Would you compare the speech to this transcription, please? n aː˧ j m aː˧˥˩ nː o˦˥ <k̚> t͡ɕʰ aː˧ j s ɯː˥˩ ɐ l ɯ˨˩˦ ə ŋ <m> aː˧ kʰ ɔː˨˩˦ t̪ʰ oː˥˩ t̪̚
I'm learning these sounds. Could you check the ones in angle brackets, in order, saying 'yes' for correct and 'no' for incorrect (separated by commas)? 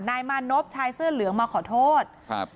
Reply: no, yes